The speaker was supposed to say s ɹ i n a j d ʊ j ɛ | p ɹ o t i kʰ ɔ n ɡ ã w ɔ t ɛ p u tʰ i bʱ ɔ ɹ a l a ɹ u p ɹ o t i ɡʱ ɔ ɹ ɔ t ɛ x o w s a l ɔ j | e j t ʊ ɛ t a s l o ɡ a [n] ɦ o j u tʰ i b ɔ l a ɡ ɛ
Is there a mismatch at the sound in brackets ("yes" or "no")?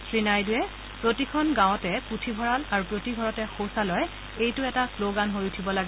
no